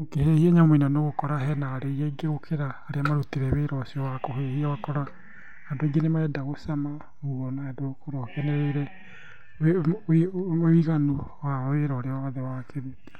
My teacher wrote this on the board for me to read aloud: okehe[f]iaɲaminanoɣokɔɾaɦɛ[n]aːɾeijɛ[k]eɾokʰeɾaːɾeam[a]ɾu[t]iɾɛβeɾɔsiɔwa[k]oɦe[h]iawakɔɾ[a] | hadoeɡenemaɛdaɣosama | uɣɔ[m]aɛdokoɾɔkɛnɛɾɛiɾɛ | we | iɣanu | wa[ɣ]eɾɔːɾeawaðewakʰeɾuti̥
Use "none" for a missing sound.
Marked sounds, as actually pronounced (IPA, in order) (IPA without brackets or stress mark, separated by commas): h, n, ɡ, a, t, k, h, a, n, w